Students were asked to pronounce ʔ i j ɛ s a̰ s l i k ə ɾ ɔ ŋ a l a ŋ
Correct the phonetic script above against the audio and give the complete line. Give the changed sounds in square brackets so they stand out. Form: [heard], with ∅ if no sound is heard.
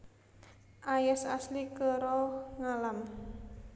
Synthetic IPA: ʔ [a] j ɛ s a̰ s l i k ə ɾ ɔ ŋ a l a [m]